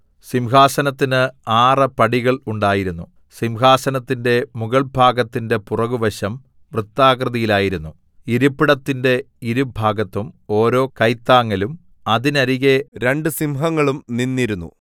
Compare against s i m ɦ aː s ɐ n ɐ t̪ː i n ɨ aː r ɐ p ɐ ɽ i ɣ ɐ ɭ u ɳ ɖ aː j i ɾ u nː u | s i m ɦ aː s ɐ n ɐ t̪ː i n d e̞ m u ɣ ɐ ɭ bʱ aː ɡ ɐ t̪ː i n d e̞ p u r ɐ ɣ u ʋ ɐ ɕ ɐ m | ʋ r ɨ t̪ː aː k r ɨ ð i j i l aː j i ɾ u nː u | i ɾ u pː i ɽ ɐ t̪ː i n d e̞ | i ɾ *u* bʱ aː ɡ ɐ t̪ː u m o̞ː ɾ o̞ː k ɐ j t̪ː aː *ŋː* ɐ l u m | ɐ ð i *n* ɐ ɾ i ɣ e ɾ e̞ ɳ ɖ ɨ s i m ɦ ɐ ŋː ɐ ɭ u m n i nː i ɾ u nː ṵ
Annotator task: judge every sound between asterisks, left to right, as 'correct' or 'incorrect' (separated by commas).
correct, correct, correct